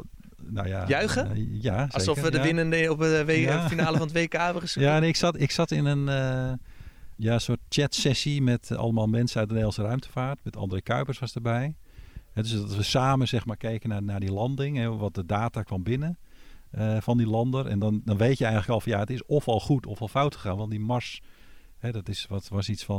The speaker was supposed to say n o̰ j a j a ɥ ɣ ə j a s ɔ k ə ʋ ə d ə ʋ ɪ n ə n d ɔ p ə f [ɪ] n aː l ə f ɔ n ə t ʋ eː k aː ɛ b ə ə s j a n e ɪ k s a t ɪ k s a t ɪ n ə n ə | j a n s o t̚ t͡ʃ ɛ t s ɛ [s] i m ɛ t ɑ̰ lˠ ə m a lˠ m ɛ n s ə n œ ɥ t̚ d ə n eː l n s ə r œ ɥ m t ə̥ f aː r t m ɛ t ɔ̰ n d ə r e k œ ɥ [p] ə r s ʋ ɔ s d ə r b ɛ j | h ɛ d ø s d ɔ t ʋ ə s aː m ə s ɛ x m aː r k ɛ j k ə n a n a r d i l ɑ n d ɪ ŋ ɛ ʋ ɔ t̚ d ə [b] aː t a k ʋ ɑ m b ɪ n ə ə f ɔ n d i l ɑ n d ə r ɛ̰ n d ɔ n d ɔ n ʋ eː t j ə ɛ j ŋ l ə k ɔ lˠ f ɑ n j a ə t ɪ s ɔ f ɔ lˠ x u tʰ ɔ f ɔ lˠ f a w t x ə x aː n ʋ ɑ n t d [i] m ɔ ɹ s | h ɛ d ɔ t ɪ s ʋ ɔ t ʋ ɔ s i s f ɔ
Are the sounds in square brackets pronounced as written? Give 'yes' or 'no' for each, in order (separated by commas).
no, yes, yes, no, yes